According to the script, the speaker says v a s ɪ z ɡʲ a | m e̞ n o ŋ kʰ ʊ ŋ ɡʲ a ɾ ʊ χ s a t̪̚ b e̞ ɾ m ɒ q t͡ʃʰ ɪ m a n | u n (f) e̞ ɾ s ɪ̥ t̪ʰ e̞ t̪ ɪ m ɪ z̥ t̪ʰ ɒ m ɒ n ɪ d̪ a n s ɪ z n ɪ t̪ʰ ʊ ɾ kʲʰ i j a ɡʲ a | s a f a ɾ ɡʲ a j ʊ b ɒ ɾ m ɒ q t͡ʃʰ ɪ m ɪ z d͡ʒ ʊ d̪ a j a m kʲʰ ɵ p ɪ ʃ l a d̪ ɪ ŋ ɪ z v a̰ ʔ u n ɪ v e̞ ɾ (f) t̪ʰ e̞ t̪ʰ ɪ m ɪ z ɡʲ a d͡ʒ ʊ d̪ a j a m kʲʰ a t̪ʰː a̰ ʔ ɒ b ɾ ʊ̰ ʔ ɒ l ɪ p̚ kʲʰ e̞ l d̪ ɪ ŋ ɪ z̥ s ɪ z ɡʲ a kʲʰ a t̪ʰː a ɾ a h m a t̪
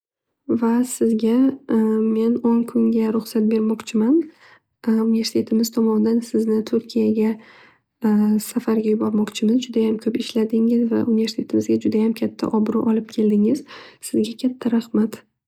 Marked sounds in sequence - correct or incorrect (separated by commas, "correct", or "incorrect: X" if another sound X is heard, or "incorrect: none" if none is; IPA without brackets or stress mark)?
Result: incorrect: v, incorrect: s